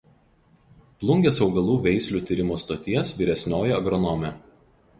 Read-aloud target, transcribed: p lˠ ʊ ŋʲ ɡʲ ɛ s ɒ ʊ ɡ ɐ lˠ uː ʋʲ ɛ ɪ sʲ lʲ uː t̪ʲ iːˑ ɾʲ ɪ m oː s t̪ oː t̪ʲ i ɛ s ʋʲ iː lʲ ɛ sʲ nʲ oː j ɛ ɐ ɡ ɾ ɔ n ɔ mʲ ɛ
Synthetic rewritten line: p lˠ ʊ ŋʲ ɡʲ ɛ s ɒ ʊ ɡ ɐ lˠ uː ʋʲ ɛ ɪ sʲ lʲ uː t̪ʲ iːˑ ɾʲ ɪ m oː s t̪ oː t̪ʲ i ɛ s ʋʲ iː ɾʲ ɛ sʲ nʲ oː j ɛ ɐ ɡ ɾ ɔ n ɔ mʲ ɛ

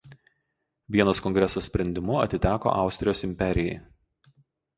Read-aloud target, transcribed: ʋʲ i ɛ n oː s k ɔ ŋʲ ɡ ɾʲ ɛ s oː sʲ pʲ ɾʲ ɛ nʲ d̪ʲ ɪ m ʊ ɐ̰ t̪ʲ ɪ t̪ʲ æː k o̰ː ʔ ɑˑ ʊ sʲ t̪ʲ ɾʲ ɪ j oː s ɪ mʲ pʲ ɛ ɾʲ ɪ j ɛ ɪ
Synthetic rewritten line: ʋʲ i ɛ n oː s k ɔ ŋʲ ɡ ɾʲ ɛ s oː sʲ pʲ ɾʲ ɛ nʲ d̪ʲ ɪ m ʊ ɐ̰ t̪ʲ ɪ t̪ʲ æː k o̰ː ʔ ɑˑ ʊ sʲ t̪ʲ ɾʲ ɪ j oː s ɪ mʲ pʲ ɛ ɾʲ ɪ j ɛ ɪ

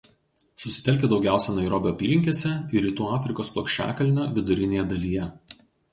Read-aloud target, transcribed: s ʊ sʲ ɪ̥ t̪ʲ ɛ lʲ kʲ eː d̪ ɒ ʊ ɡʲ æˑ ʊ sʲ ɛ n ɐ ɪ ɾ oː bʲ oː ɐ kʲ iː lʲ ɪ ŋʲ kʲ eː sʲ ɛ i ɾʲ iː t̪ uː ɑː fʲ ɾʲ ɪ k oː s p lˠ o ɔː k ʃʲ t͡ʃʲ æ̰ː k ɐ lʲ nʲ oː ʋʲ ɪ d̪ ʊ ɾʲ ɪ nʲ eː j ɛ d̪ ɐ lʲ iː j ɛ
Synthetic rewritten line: s ʊ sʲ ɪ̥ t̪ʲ ɛ lʲ kʲ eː d̪ ɒ ʊ ɡʲ æˑ ʊ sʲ ɛ n ɐ ɪ ɾ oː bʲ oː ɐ pʲ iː lʲ ɪ ŋʲ kʲ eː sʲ ɛ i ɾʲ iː t̪ uː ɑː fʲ ɾʲ ɪ k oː s p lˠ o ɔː k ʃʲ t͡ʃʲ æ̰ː k ɐ lʲ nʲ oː ʋʲ ɪ d̪ ʊ ɾʲ ɪ nʲ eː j ɛ d̪ ɐ lʲ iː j ɛ

